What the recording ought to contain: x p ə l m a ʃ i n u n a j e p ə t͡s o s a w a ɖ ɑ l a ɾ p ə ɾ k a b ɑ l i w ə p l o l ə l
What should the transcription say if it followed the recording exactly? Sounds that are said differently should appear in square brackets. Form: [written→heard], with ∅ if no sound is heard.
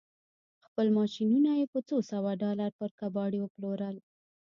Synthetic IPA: x p ə l m [a→ɑ] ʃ i n u n a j e p ə t͡s o s a w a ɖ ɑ l a ɾ p ə ɾ k a b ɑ [l→ɽ] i w ə p l o [l→ɾ] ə l